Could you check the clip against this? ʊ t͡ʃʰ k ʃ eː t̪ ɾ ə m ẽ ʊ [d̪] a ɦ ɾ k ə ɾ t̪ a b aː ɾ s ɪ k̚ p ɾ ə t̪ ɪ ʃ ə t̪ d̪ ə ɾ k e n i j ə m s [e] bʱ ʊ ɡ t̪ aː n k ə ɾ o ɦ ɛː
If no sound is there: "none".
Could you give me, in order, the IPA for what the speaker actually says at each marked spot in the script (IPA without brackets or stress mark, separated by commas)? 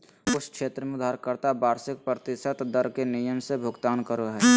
d̪, e